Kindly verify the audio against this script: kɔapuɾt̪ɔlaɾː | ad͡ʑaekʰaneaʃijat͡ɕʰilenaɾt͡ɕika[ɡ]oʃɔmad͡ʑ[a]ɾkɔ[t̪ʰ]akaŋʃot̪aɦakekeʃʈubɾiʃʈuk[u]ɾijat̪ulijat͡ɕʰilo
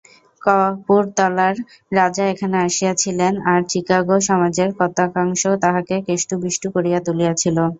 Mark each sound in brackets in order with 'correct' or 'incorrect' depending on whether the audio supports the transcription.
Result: correct, incorrect: e, incorrect: t̪, incorrect: o

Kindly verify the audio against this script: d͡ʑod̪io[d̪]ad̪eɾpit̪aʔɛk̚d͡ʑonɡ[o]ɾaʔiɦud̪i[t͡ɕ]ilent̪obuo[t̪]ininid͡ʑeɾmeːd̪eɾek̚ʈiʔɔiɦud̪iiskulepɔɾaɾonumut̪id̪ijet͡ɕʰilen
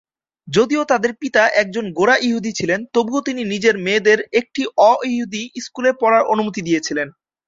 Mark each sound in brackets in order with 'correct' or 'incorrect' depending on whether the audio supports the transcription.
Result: incorrect: t̪, correct, incorrect: t͡ɕʰ, correct

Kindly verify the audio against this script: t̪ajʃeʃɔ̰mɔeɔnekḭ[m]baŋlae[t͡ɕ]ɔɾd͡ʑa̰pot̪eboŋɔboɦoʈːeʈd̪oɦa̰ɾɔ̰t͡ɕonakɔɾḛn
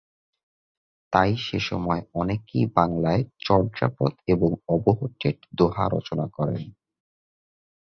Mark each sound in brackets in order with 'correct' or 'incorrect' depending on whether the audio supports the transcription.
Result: incorrect: none, correct

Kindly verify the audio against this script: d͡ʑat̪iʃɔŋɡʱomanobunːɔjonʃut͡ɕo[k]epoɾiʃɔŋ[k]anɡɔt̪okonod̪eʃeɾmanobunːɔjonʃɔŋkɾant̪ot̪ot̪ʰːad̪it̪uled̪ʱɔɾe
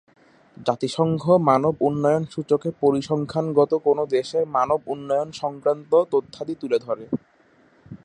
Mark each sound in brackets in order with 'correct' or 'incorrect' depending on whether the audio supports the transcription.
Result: correct, incorrect: kʰ

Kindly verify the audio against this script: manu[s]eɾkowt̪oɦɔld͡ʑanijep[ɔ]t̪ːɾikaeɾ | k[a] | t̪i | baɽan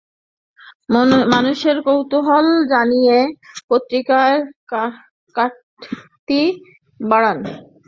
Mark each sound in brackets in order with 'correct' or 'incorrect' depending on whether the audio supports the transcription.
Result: incorrect: ʃ, incorrect: o, correct

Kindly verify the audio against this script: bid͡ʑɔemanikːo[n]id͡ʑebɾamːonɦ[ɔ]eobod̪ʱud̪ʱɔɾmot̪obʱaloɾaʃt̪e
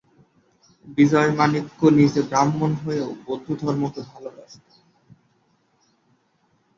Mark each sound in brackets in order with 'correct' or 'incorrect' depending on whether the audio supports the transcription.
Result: correct, incorrect: o

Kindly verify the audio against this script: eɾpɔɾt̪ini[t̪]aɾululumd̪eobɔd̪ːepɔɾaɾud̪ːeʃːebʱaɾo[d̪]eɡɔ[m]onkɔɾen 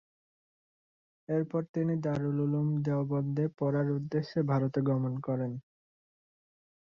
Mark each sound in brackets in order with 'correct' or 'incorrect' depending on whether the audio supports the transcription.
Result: incorrect: d̪, incorrect: t̪, correct

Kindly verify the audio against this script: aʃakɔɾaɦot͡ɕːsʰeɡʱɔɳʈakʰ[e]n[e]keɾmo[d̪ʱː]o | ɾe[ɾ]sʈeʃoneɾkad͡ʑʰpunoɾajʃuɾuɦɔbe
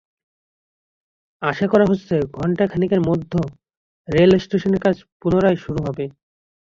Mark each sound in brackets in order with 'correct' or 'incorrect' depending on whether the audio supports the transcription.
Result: incorrect: a, incorrect: i, correct, incorrect: l

